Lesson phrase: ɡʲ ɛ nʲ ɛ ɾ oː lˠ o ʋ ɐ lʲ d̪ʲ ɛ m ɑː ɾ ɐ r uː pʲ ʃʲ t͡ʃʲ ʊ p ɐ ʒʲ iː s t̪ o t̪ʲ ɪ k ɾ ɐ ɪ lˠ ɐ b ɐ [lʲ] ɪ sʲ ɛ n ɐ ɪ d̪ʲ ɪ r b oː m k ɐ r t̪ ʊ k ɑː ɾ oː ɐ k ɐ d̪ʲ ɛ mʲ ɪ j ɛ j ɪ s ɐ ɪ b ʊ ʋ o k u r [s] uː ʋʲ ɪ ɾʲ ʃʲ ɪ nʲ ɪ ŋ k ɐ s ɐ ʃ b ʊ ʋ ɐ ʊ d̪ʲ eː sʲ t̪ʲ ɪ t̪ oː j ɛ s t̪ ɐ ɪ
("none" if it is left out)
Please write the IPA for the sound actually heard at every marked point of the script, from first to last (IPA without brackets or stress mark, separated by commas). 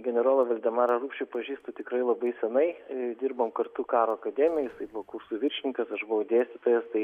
none, s